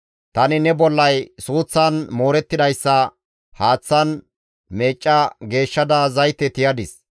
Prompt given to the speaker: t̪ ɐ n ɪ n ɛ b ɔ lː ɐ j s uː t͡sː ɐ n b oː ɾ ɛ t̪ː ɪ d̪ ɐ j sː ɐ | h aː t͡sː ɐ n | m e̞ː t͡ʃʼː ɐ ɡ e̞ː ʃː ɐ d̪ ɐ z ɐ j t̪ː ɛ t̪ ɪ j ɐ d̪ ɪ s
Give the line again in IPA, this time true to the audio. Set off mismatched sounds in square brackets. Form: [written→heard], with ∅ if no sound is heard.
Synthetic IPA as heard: t̪ ɐ n ɪ n ɛ b ɔ lː ɐ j s uː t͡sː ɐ n [b→m] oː ɾ ɛ t̪ː ɪ d̪ ɐ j sː ɐ | h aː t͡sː ɐ n | m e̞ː t͡ʃʼː ɐ ɡ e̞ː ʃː ɐ d̪ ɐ z ɐ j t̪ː ɛ t̪ ɪ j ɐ d̪ ɪ s